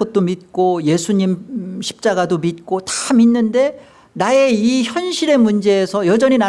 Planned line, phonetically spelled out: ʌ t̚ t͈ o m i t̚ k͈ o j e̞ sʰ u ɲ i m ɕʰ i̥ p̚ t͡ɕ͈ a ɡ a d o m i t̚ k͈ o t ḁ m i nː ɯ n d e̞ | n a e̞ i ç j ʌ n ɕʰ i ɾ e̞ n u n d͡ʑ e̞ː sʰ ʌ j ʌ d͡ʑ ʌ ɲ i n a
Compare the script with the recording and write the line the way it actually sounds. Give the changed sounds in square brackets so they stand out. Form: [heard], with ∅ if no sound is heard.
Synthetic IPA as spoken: ʌ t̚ t͈ o m i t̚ k͈ o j e̞ sʰ u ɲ i m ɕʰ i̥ p̚ t͡ɕ͈ a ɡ a d o m i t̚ k͈ o t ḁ m i nː ɯ n d e̞ | n a e̞ i ç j ʌ n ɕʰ i ɾ e̞ [m] u n d͡ʑ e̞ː sʰ ʌ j ʌ d͡ʑ ʌ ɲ i n a